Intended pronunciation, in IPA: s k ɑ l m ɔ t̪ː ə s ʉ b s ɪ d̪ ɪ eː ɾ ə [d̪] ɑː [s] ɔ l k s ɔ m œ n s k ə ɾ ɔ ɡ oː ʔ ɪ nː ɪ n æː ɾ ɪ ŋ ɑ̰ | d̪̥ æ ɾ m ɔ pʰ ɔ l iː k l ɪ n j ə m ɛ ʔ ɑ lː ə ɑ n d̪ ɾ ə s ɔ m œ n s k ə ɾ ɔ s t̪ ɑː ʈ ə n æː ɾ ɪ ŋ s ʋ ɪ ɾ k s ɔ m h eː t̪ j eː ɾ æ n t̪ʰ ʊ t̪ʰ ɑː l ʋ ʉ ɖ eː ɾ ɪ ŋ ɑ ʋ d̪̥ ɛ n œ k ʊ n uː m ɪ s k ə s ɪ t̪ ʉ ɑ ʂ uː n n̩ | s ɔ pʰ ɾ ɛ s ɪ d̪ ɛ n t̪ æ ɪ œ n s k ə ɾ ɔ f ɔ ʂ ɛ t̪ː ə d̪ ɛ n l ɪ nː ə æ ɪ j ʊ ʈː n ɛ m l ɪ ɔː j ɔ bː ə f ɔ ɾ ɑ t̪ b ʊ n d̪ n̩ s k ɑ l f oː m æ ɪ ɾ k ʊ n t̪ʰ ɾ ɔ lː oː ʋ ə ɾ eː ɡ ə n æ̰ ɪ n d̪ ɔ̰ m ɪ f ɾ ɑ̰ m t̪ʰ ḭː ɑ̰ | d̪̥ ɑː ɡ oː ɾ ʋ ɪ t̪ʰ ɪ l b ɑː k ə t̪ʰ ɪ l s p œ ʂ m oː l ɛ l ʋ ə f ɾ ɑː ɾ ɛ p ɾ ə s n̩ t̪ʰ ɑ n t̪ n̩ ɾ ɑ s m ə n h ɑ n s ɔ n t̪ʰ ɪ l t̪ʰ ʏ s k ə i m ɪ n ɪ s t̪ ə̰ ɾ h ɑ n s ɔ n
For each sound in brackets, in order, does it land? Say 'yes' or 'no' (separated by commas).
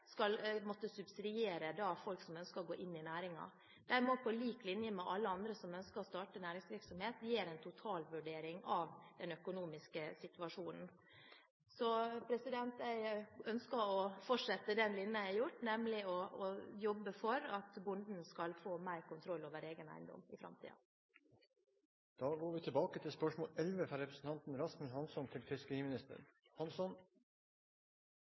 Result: yes, no